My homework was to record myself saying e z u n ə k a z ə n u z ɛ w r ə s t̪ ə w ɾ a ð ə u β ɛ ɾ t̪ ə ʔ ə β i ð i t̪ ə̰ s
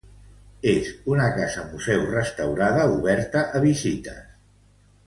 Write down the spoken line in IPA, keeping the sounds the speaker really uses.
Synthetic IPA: e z u n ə k a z ə m u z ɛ w r ə s t̪ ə w ɾ a ð ə u β ɛ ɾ t̪ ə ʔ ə β i z i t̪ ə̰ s